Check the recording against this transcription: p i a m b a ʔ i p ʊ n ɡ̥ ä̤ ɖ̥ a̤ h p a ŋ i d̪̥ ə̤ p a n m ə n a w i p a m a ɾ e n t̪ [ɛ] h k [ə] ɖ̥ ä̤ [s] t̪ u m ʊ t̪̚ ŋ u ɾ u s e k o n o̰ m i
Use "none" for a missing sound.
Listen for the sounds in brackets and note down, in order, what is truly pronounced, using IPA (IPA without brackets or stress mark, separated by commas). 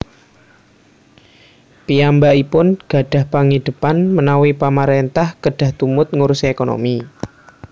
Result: a, ə, h